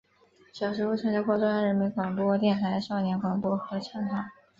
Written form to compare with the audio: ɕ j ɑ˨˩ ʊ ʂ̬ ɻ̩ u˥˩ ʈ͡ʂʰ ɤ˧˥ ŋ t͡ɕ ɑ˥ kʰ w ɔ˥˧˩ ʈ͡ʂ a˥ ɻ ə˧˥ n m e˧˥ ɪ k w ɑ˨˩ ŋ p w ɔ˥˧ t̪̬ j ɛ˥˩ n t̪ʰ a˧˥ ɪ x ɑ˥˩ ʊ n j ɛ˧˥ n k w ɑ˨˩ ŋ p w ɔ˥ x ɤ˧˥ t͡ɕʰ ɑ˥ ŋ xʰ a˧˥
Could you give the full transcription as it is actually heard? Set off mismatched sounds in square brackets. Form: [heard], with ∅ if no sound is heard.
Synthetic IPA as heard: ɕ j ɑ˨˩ ʊ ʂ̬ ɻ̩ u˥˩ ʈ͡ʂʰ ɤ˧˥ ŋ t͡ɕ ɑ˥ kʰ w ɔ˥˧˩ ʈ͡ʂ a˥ ɻ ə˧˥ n m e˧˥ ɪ k w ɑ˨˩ ŋ p w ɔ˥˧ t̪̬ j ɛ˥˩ n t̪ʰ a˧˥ ɪ [ʂ] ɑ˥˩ ʊ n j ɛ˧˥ n k w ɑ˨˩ ŋ p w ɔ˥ x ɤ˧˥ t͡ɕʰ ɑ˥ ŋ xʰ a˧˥